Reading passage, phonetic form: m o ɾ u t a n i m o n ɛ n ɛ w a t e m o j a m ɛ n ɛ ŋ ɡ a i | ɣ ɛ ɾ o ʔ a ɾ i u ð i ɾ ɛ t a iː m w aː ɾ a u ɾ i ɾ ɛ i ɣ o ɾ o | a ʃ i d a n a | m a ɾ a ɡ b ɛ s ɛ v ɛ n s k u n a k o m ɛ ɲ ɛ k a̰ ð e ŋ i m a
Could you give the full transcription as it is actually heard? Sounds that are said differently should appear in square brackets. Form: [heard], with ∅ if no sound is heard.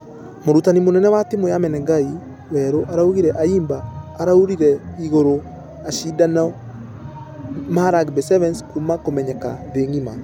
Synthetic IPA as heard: m o ɾ u t a n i m o n ɛ n ɛ w a t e m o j a m ɛ n ɛ ŋ ɡ a i | [w] ɛ ɾ o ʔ a ɾ [a] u [ɣ] i ɾ ɛ [ʔ] a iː m [b] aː ɾ a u ɾ i ɾ ɛ i ɣ o ɾ o | a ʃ i d a n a | m a ɾ a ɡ b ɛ s ɛ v ɛ n s k u [m] a k o m ɛ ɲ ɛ k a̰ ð e ŋ i m a